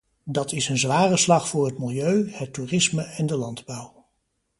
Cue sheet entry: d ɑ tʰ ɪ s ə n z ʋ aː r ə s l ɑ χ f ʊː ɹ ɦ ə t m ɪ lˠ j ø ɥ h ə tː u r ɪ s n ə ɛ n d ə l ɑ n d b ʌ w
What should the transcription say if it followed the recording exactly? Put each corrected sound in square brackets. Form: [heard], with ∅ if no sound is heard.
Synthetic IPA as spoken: d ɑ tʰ ɪ s ə n z ʋ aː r ə s l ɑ χ f ʊː ɹ ɦ ə t m ɪ lˠ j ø ɥ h ə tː u r ɪ s [m] ə ɛ n d ə l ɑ n d b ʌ w